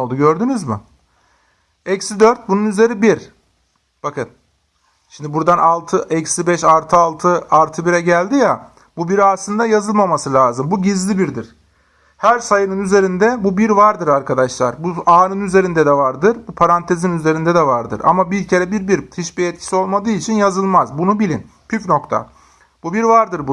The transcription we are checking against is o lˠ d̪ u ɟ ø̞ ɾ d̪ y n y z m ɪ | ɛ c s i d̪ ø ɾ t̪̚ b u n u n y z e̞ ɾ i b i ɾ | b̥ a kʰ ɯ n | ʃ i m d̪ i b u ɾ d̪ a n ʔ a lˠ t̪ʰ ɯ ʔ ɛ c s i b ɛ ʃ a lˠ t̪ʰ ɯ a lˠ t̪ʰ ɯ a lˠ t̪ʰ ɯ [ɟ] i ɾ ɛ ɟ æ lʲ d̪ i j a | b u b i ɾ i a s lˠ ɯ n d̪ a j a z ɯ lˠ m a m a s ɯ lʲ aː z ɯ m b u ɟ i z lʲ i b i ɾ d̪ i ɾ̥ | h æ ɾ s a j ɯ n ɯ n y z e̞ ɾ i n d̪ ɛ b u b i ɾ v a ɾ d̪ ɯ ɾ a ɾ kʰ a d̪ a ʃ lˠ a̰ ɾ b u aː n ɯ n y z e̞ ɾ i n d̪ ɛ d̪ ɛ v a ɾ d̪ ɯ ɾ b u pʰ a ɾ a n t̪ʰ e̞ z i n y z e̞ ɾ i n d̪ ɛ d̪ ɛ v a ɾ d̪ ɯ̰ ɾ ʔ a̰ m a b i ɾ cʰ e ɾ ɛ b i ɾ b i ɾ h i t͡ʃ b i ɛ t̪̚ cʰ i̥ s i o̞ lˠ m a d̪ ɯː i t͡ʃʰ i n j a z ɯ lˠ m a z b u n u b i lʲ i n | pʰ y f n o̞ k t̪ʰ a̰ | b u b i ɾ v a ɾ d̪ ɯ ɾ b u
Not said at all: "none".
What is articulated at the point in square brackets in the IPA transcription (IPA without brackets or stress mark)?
b